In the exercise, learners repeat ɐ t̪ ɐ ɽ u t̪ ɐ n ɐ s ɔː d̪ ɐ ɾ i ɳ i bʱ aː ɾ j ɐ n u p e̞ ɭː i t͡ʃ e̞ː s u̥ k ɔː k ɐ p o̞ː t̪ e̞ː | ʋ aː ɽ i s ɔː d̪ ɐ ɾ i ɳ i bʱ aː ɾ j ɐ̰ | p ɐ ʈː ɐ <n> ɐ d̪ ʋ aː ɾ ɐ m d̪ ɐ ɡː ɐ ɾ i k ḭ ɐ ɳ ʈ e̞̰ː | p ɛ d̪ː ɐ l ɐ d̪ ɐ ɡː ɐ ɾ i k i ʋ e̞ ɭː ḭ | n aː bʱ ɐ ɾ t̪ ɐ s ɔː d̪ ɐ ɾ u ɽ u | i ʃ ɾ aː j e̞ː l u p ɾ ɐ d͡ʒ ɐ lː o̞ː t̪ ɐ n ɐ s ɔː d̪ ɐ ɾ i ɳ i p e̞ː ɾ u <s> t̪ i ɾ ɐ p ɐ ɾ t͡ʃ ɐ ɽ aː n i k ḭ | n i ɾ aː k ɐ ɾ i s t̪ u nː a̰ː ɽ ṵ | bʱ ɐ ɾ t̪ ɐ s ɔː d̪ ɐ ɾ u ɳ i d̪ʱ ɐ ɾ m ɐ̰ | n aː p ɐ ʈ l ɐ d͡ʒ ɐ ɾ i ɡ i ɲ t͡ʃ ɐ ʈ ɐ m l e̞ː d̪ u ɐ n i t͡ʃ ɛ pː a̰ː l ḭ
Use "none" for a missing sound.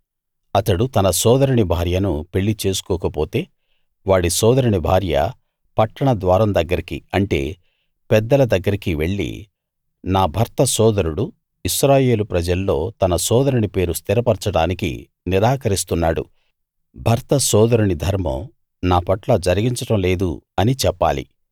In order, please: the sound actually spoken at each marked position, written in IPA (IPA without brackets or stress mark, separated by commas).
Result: ɳ, s